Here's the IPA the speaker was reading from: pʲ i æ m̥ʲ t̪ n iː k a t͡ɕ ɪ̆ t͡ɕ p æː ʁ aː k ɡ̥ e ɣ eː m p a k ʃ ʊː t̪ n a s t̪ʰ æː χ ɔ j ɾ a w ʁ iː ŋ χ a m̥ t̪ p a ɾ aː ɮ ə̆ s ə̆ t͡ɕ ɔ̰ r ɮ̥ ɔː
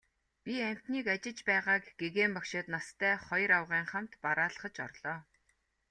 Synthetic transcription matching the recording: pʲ i æ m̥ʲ t̪ n iː k a t͡ɕ ɪ̆ t͡ɕ p æː ʁ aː k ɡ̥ e ɣ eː m p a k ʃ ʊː t̪ n a s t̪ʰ æː χ ɔ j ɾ a w ʁ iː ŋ χ a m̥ t̪ p a ɾ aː ɮ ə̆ χ ə̆ t͡ɕ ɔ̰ r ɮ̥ ɔː